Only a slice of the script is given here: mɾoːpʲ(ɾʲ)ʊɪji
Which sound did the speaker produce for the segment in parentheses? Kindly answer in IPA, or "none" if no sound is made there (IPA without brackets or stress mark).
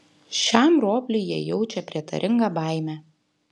lʲ